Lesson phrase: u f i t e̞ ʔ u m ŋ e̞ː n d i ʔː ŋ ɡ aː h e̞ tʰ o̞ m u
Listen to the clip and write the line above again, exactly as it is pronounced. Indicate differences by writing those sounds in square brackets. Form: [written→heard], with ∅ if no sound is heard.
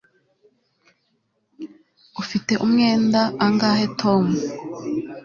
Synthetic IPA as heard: u f i t e̞ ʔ u m ŋ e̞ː n d [i→a] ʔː ŋ ɡ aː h e̞ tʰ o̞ m u